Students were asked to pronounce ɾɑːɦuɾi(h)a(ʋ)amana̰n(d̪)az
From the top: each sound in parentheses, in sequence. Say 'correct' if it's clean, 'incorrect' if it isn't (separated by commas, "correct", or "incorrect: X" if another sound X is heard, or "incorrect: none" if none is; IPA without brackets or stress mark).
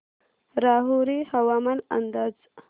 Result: correct, incorrect: w, correct